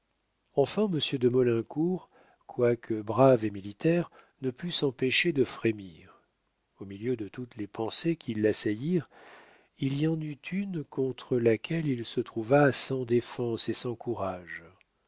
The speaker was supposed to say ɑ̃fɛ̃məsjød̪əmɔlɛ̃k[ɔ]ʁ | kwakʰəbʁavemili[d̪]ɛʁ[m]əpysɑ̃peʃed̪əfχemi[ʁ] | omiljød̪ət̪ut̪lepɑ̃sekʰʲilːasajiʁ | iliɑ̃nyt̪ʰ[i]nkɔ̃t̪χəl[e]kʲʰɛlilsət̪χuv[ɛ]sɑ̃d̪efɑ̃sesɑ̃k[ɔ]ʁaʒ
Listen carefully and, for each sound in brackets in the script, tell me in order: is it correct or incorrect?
incorrect: u, incorrect: t̪, incorrect: n, correct, incorrect: y, incorrect: a, incorrect: a, incorrect: u

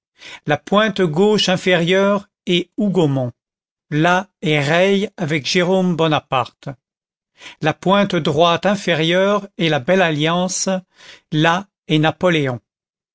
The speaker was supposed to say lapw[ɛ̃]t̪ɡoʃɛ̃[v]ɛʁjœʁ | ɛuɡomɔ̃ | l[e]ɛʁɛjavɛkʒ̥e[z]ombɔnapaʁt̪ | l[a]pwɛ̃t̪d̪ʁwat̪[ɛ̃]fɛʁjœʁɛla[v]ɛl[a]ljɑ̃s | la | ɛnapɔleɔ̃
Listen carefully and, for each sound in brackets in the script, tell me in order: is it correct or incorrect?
correct, incorrect: f, incorrect: a, incorrect: ʁ, correct, correct, incorrect: b, correct

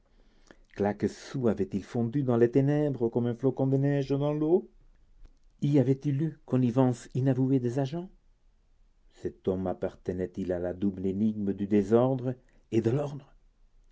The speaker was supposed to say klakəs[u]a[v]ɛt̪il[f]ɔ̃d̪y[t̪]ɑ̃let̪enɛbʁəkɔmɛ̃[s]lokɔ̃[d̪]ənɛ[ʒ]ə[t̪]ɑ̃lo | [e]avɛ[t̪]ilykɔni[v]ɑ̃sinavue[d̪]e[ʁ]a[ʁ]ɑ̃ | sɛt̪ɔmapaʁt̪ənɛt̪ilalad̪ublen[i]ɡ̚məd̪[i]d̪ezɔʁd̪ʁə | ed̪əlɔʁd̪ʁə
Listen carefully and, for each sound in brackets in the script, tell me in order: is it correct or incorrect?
correct, correct, correct, incorrect: d̪, incorrect: f, correct, correct, incorrect: d̪, incorrect: i, correct, correct, correct, incorrect: z, incorrect: ʒ, correct, incorrect: y

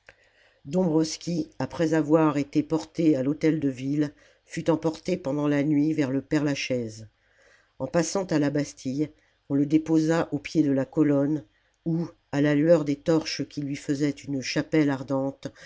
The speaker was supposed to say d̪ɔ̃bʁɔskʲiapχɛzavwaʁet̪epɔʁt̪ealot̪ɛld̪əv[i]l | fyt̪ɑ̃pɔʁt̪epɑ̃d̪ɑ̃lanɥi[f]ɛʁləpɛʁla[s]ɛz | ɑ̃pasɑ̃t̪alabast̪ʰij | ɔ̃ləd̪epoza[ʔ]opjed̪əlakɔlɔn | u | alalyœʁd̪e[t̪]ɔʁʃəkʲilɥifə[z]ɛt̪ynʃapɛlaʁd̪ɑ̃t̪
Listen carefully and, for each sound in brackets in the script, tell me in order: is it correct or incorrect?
correct, incorrect: v, incorrect: ʃ, correct, correct, correct

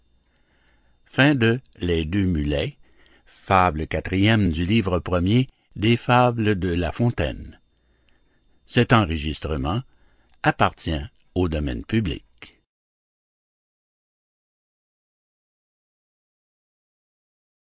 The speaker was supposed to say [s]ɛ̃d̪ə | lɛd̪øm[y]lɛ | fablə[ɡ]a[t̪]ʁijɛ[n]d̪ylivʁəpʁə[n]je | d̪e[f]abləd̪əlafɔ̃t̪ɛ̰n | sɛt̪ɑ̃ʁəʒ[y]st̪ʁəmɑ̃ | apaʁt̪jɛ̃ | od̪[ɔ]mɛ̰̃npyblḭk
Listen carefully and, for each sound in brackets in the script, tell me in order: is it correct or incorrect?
incorrect: f, correct, incorrect: k, correct, incorrect: m, incorrect: m, correct, incorrect: i, correct

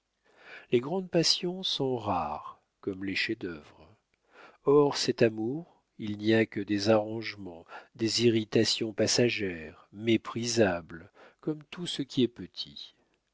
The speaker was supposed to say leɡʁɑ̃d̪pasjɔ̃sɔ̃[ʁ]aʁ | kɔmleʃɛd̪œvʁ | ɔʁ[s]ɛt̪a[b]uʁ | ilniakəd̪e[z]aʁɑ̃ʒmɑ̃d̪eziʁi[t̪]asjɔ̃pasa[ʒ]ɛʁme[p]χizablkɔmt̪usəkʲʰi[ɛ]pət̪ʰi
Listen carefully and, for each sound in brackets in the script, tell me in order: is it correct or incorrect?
correct, correct, incorrect: m, correct, correct, correct, correct, correct

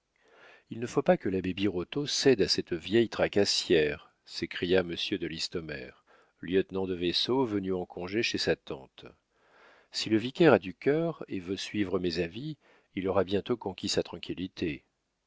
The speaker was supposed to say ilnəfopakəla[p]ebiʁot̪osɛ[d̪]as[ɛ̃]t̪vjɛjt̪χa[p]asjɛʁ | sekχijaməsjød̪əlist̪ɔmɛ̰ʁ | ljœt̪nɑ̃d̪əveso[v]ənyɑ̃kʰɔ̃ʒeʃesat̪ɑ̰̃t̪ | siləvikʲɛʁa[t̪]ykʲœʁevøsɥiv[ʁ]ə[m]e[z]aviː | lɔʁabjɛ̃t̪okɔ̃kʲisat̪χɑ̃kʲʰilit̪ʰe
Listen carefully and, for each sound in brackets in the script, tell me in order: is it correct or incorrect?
incorrect: b, correct, incorrect: ɛ, incorrect: k, correct, incorrect: d̪, correct, correct, correct

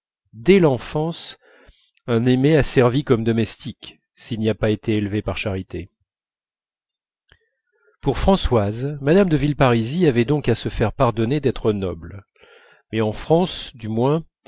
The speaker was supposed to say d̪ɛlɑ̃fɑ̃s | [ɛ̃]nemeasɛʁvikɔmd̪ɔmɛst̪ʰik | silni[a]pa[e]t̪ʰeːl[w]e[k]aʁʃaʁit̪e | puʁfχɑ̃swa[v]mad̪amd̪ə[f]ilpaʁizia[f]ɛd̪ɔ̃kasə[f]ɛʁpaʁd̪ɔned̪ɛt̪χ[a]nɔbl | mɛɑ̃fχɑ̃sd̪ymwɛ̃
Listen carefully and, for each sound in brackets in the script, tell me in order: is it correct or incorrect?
correct, correct, correct, incorrect: v, incorrect: p, incorrect: z, incorrect: v, incorrect: v, correct, incorrect: ə

